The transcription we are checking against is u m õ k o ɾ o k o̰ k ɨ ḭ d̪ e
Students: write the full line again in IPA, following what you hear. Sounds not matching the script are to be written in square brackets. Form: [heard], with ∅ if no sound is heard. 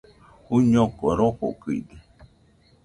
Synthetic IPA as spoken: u [ɲ] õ k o ɾ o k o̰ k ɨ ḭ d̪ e